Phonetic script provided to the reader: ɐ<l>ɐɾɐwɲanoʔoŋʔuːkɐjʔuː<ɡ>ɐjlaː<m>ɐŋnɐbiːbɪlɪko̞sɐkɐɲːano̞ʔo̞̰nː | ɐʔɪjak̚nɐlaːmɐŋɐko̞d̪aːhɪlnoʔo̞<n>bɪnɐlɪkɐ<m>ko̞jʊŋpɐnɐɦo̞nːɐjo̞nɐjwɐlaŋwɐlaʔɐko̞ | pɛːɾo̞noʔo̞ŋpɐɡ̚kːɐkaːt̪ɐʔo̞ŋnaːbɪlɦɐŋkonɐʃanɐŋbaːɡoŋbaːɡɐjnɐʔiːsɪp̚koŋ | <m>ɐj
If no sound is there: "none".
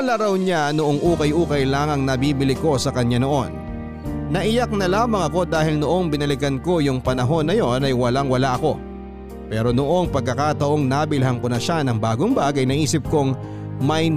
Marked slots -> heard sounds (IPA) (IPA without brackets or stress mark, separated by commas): l, k, ŋ, ŋ, n, m